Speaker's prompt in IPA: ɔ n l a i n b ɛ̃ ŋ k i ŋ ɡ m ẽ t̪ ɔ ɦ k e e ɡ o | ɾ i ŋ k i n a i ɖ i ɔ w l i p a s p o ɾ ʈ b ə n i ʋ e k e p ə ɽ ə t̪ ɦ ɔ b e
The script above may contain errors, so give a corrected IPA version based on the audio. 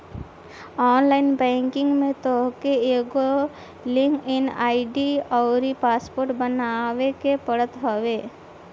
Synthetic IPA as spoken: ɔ n l a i n b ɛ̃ ŋ k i ŋ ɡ m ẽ t̪ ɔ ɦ k e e ɡ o | l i ŋ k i n a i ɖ i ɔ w ɾ i p a s p o ɾ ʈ b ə n a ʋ e k e p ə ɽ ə t̪ ɦ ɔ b e